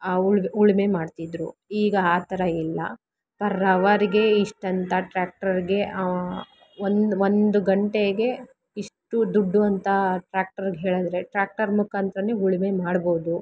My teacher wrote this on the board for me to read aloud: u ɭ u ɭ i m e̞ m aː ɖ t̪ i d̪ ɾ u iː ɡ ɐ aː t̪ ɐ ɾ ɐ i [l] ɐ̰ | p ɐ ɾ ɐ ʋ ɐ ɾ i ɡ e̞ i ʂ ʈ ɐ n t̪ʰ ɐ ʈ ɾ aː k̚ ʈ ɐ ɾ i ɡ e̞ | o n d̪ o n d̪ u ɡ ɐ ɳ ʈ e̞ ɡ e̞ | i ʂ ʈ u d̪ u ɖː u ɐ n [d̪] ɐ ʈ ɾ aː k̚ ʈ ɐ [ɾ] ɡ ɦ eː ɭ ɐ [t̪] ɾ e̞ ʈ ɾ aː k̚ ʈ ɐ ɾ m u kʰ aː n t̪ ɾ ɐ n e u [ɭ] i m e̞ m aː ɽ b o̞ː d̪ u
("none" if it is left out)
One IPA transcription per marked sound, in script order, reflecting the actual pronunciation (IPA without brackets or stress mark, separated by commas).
lː, t̪, ɾ, d̪, ɭ